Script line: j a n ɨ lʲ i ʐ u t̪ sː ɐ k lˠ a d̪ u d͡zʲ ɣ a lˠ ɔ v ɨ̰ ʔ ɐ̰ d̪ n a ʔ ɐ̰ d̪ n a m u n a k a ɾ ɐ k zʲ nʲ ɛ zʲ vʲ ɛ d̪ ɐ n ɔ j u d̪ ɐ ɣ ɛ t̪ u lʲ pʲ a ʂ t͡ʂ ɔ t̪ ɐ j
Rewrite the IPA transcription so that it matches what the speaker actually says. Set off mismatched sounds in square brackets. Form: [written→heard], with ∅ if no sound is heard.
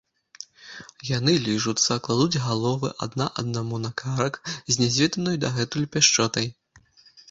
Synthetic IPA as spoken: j a n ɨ lʲ i ʐ u t̪ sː ɐ k lˠ a d̪ u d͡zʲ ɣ a lˠ ɔ v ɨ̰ ʔ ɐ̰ d̪ n a ʔ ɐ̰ d̪ n a m u n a k a ɾ ɐ k zʲ nʲ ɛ zʲ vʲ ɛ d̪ ɐ n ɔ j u d̪ ɐ ɣ ɛ t̪ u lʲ pʲ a ʂ t͡ʂ ɔ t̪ ɐ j